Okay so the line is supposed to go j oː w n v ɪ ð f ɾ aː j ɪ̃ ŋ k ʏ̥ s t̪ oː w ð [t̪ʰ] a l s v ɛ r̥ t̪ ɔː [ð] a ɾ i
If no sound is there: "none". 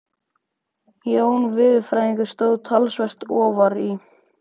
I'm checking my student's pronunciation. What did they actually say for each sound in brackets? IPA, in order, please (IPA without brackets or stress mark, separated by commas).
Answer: t̪ʰ, v